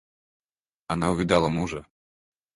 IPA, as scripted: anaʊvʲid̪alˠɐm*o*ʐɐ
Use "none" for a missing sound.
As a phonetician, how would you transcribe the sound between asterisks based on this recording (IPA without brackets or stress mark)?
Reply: u